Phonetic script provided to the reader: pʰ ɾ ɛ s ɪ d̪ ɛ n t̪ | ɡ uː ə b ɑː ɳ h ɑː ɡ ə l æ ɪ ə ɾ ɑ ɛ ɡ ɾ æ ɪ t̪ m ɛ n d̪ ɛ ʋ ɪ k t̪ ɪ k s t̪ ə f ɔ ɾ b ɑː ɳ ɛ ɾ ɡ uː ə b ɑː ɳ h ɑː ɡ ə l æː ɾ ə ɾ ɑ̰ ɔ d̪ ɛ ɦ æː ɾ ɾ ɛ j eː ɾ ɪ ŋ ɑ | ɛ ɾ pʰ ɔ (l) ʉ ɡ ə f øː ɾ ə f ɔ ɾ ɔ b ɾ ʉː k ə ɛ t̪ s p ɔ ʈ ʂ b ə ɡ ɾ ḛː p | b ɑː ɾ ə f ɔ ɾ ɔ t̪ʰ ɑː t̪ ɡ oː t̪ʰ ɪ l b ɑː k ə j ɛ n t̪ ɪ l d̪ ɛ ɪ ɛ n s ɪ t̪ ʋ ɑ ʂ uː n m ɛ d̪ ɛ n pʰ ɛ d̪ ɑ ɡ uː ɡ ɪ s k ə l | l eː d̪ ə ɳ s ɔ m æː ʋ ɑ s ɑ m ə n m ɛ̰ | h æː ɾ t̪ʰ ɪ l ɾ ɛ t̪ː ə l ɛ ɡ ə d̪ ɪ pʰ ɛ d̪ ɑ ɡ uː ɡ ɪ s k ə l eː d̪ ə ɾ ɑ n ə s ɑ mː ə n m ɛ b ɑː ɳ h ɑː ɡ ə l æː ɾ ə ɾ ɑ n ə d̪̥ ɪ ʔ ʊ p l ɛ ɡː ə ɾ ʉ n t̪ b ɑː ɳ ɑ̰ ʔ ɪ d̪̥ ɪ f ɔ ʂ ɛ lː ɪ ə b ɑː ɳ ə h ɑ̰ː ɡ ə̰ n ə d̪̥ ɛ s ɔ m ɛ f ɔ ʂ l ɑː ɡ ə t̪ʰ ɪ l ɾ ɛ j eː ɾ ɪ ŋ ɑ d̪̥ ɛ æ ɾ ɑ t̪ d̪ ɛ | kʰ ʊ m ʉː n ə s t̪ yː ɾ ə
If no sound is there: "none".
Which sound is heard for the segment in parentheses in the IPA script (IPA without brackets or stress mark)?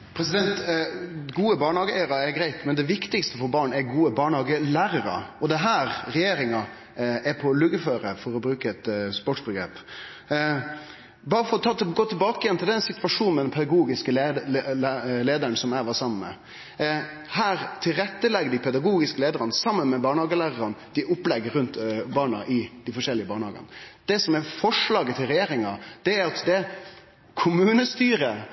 l